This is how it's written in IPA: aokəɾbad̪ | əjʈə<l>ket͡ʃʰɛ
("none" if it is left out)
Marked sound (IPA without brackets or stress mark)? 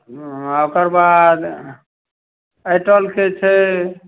l